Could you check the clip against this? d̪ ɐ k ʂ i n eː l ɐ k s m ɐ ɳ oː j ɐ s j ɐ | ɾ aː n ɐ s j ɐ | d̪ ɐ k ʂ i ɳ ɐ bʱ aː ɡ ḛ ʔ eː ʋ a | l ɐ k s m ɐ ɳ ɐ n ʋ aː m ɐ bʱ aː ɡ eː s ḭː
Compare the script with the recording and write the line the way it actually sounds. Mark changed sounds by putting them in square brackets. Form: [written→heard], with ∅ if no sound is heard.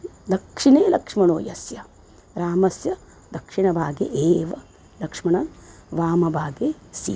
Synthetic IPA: d̪ ɐ k ʂ i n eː l ɐ k [s→ʂ] m ɐ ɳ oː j ɐ s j ɐ | ɾ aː [n→m] ɐ s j ɐ | d̪ ɐ k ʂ i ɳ ɐ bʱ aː ɡ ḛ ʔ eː ʋ [a→ɐ] | l ɐ k [s→ʂ] m ɐ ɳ ɐ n ʋ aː m ɐ bʱ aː ɡ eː s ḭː